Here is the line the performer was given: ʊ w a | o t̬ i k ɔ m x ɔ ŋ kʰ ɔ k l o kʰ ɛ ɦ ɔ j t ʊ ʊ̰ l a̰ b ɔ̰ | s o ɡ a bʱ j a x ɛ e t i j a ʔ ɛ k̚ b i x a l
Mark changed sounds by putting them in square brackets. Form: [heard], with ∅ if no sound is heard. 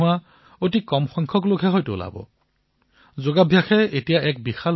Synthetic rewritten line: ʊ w a | o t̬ i k ɔ m x ɔ ŋ kʰ ɔ k l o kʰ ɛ ɦ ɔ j t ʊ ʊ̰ l a̰ b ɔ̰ | [z] o ɡ a bʱ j a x ɛ e t i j a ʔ ɛ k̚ b i x a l